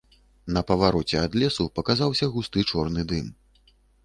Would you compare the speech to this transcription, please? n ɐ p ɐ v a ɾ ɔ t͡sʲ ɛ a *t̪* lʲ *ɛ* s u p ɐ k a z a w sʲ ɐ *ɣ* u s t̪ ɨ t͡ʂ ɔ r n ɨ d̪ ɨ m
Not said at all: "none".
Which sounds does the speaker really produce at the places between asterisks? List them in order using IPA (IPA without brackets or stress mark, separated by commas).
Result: d̪, ɛ, ɣ